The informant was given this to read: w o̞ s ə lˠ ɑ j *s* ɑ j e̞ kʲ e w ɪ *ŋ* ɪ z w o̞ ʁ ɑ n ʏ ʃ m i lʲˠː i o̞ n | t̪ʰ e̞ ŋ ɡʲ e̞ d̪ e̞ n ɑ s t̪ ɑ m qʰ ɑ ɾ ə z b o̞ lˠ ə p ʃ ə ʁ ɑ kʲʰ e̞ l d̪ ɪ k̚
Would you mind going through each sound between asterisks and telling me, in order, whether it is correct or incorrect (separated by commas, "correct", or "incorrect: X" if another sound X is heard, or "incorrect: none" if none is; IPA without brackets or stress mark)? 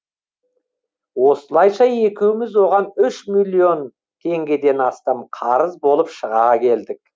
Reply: incorrect: ʃ, incorrect: m